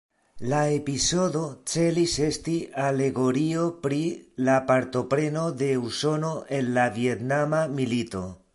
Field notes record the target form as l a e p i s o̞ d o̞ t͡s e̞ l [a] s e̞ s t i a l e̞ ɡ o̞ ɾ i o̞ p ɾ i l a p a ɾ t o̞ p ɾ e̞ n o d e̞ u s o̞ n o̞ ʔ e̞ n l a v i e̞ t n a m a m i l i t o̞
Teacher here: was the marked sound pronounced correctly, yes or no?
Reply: no